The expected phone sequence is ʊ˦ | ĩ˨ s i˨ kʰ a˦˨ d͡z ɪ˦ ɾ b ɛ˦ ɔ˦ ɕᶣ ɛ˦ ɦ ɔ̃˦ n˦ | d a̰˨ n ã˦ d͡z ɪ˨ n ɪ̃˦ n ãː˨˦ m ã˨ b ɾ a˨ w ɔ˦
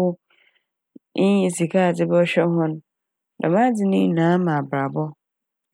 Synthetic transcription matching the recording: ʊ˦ | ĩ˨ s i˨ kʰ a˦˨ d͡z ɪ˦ b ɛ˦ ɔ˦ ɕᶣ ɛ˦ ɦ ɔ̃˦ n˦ | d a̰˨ m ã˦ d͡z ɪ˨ n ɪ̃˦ n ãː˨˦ m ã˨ b ɾ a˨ b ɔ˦